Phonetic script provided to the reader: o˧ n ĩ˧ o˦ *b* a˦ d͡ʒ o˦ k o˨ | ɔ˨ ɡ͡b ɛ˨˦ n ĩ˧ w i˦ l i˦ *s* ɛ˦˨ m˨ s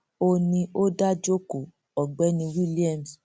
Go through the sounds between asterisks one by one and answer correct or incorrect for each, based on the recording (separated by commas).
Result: incorrect, incorrect